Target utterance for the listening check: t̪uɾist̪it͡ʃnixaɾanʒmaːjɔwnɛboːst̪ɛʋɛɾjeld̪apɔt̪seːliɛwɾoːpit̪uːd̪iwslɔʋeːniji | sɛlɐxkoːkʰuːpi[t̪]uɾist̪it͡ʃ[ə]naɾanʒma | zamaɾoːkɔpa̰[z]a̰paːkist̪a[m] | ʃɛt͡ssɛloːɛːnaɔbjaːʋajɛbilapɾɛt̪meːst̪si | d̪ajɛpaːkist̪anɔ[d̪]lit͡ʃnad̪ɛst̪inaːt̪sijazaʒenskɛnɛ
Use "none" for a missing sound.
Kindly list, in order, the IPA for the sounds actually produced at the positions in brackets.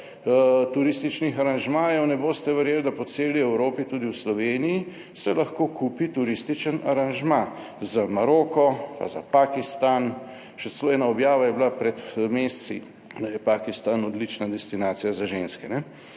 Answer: t̪, ə, z, n, d̪

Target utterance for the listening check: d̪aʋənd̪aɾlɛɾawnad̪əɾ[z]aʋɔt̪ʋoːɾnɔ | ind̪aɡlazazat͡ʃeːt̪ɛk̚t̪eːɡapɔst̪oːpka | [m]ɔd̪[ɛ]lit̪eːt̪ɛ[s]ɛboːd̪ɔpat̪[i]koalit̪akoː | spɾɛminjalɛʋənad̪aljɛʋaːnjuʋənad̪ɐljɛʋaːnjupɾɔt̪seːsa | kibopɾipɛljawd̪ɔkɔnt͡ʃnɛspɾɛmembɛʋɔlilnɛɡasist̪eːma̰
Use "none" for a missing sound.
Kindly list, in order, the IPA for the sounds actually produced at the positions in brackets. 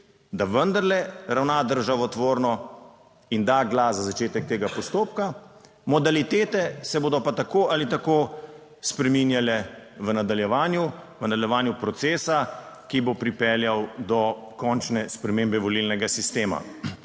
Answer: ʒ, m, a, s, a

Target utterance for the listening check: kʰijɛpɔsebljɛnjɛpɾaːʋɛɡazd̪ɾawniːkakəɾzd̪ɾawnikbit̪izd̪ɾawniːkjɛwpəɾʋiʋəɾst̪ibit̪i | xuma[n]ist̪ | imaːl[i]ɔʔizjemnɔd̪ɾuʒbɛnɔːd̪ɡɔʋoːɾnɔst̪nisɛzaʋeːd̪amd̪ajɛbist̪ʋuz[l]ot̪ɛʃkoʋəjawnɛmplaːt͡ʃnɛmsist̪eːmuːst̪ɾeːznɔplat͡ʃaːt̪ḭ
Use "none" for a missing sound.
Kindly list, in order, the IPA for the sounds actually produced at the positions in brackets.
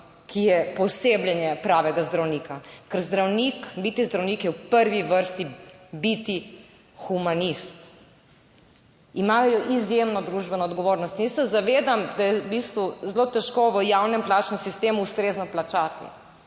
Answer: n, j, l

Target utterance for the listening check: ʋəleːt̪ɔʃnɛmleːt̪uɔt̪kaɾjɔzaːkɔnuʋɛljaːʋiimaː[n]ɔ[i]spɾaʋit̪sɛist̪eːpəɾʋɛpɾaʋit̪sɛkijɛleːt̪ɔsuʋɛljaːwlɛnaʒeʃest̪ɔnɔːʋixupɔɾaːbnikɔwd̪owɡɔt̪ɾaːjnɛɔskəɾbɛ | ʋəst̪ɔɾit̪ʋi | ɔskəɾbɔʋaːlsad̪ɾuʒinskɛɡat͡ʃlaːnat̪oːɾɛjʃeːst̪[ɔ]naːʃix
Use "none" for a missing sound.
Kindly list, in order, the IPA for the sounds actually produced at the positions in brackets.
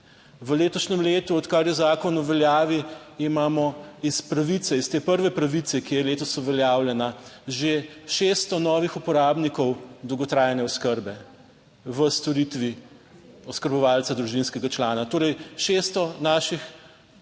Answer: m, i, ɔ

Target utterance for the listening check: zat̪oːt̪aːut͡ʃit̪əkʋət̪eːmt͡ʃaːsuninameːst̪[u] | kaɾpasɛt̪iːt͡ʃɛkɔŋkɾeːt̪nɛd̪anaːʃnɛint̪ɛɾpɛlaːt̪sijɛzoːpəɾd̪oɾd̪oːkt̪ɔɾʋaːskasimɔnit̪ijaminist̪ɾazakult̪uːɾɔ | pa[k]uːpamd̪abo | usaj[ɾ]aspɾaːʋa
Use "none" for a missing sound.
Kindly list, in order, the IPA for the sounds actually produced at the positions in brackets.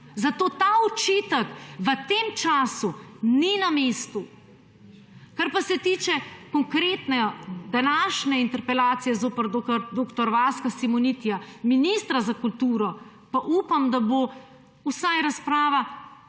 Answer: u, ʔ, ɾ

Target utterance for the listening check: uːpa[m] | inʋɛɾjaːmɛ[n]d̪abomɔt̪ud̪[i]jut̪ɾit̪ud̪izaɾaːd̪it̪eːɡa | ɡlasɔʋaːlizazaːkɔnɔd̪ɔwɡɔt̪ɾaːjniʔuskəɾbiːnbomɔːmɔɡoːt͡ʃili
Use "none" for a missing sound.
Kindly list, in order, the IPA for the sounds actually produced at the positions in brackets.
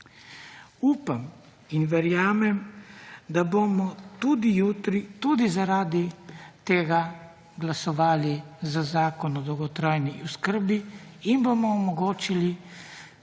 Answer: m, m, i

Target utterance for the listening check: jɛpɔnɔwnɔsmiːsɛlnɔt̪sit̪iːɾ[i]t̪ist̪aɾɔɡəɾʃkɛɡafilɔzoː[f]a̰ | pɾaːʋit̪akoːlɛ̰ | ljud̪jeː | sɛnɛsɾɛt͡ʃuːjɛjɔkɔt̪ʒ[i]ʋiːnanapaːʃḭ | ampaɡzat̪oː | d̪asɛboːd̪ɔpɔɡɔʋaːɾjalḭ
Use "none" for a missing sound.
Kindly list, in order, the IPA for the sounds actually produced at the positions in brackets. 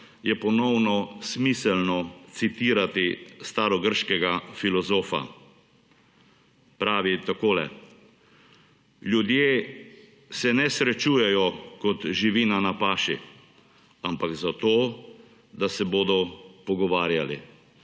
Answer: a, f, i

